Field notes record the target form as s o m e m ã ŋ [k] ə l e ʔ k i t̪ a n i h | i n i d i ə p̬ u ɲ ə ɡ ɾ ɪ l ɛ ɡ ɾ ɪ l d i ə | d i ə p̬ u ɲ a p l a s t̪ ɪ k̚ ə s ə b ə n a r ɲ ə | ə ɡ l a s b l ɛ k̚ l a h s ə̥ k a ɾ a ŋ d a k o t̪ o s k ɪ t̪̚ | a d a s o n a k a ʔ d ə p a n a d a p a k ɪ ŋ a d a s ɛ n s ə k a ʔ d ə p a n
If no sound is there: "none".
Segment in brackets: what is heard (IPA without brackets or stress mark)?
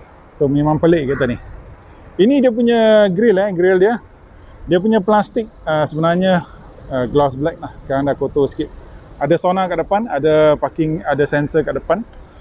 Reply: p